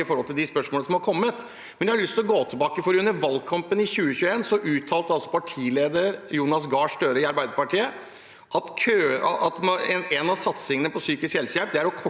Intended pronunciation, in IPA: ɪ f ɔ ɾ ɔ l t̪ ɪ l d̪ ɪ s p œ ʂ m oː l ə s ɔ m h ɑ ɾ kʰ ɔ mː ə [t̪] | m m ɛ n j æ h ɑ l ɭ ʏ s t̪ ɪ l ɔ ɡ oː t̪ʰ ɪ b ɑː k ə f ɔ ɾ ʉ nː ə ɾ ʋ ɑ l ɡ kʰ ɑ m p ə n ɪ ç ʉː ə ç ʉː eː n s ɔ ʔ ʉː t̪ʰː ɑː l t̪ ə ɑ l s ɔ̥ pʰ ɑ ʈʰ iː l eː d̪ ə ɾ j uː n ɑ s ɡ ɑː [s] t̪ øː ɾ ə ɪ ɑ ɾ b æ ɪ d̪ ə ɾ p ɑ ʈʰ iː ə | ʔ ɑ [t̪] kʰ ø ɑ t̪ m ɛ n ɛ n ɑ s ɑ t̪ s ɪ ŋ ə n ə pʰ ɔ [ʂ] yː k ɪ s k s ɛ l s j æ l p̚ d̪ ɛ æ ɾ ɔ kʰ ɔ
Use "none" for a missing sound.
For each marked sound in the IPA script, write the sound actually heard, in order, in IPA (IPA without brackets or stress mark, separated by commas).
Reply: t̪, ʂ, t̪, s